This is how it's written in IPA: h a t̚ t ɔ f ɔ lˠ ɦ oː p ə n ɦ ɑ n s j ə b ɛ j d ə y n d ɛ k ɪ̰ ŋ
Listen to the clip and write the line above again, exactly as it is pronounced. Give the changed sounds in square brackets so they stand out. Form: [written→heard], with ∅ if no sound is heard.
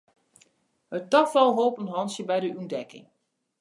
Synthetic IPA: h [a→ə] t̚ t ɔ f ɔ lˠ ɦ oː p ə n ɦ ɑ n s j ə b ɛ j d ə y n d ɛ k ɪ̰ ŋ